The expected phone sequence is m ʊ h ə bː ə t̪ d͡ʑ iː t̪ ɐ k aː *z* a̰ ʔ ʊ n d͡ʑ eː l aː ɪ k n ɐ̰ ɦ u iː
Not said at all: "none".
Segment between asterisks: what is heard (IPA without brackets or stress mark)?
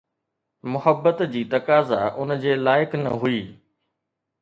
z